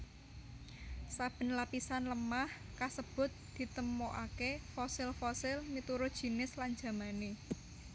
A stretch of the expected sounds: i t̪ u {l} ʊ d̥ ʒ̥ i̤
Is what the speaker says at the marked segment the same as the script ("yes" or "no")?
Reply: no